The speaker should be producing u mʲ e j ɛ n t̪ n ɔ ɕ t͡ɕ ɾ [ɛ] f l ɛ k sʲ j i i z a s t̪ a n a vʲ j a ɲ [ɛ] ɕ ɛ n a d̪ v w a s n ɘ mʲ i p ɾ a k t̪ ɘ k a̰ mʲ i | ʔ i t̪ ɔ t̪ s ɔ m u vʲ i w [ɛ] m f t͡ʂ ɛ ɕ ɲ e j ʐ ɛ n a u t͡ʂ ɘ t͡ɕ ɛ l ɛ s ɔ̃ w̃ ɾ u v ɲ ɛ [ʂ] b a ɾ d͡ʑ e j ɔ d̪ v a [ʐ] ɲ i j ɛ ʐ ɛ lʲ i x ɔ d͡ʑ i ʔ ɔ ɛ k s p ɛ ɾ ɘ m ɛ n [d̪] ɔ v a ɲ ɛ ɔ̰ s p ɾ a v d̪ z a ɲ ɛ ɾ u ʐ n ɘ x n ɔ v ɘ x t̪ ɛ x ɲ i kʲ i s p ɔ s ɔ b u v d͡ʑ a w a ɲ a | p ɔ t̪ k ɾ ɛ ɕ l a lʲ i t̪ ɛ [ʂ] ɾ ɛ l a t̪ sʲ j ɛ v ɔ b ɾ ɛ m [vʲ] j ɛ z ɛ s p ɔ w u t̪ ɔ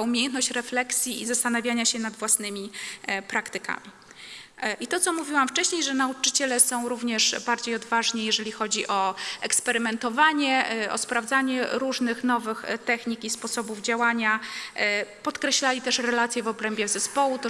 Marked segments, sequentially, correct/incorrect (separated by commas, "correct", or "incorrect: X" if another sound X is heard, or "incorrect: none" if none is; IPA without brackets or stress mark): correct, incorrect: a, incorrect: a, correct, correct, incorrect: t̪, correct, incorrect: bʲ